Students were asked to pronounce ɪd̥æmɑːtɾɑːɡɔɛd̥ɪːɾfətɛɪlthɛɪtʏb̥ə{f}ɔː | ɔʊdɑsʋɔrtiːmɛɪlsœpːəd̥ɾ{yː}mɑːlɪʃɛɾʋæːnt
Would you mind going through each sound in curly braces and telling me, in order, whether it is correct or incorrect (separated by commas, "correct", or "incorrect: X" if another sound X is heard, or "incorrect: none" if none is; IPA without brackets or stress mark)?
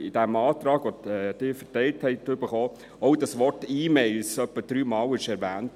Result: incorrect: χ, correct